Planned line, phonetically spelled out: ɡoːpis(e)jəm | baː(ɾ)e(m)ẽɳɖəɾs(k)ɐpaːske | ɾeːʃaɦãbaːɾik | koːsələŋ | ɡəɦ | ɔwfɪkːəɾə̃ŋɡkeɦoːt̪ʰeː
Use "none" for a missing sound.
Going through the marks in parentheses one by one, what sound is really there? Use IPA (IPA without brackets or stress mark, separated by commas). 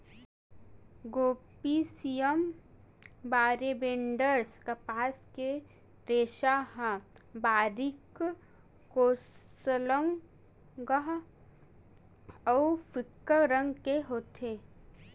i, ɾ, b, k